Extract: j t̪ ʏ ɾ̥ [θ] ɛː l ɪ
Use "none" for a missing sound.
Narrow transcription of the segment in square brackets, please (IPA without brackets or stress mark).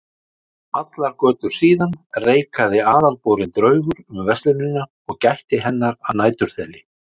θ